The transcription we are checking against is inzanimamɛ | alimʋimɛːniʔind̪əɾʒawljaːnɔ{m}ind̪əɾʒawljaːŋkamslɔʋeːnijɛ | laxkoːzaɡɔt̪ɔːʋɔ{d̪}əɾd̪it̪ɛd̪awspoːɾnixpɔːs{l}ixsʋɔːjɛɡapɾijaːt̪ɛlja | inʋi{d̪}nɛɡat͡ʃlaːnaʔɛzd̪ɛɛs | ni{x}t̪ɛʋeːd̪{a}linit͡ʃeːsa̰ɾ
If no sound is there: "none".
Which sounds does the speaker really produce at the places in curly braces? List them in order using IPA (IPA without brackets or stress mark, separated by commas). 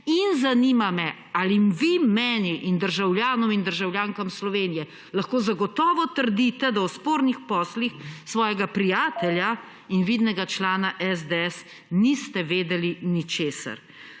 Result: m, t̪, l, d̪, s, ɛ